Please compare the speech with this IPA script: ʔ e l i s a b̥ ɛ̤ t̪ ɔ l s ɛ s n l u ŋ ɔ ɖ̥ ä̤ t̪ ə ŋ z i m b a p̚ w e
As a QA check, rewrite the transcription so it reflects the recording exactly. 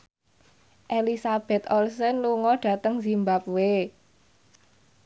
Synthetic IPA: ʔ e l i s a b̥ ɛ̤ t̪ ɔ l s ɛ n l u ŋ ɔ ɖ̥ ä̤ t̪ ə ŋ z i m b a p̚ w e